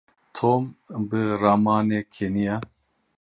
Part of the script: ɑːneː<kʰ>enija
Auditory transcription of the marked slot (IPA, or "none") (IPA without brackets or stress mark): kʰ